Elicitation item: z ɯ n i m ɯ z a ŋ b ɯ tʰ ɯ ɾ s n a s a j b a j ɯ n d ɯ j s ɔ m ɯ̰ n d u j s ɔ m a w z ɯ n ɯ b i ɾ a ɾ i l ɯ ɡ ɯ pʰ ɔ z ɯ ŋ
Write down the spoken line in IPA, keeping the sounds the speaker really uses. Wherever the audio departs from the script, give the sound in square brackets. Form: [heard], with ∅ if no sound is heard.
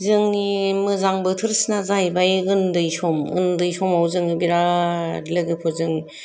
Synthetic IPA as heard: z ɯ [ŋ] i m ɯ z a ŋ b ɯ tʰ ɯ ɾ s n a [z] a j b a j ɯ n d ɯ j s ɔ m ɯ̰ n d [ɯ] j s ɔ m a w z ɯ [ŋ] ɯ b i ɾ a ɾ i l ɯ ɡ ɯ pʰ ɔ z ɯ ŋ